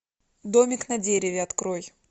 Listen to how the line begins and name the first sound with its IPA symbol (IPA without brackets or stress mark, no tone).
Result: d̪